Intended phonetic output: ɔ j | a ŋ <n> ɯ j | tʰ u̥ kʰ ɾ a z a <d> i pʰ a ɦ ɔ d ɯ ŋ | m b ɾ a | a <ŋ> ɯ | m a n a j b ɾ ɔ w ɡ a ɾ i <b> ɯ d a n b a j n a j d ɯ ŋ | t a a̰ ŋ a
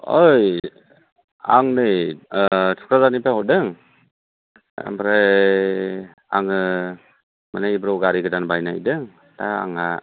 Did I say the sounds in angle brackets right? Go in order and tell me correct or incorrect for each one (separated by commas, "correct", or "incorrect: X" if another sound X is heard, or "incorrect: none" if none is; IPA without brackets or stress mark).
correct, incorrect: n, correct, incorrect: ɡ